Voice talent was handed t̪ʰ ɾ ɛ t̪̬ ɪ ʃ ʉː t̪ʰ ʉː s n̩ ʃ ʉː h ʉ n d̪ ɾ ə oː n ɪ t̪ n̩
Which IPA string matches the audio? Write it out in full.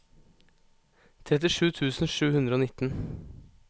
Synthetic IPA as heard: t̪ʰ ɾ ɛ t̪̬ ɪ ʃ ʉː t̪ʰ ʉː s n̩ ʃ ʉː h ʉ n d̪ ɾ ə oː n ɪ t̪ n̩